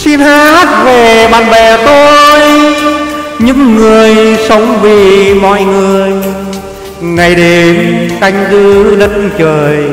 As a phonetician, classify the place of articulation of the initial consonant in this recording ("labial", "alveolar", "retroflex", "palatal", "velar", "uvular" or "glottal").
alveolar